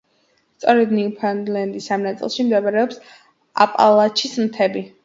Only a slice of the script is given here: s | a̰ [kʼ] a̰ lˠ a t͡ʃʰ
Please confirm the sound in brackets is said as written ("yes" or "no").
no